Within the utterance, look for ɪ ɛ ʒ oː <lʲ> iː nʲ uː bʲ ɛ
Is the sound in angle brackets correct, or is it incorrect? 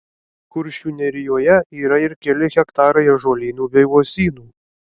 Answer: correct